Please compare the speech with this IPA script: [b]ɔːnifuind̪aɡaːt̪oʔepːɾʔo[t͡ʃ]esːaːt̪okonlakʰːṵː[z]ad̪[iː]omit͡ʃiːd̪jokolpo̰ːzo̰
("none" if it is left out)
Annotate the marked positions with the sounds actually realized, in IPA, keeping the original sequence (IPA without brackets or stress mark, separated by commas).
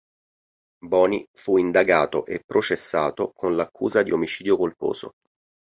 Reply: b, t͡ʃ, z, i